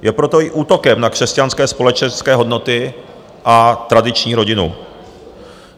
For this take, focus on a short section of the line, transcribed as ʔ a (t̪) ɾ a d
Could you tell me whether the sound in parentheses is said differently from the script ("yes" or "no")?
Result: no